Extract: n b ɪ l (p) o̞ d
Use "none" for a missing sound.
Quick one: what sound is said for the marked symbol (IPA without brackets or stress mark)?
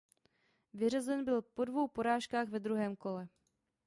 p